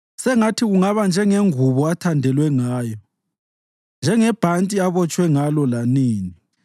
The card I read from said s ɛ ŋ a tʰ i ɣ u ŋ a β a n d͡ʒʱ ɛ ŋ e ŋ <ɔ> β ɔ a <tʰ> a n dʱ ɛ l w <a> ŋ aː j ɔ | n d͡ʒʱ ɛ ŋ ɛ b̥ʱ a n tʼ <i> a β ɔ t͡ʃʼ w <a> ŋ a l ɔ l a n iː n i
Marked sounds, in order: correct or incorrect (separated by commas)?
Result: incorrect, correct, incorrect, correct, incorrect